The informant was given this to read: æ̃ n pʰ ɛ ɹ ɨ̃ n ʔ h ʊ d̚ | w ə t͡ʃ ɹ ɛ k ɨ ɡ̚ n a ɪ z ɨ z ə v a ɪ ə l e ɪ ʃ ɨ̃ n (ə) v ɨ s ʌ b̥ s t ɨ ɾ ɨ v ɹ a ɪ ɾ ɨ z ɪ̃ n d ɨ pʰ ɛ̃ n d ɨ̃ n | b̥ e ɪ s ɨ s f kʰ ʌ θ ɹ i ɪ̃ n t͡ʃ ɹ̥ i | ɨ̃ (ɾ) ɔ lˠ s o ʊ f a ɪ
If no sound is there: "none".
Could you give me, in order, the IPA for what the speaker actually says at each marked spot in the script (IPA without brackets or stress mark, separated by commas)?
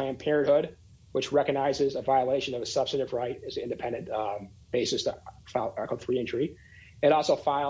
ʌ, ɾ